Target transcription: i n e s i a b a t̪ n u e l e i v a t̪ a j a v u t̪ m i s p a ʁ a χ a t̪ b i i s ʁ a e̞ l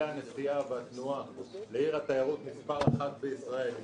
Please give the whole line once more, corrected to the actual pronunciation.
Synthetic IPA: a n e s i a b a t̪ n u a l e i ʁ a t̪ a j a ʁ u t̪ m i s p a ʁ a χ a t̪ b e i s ʁ a e̞ l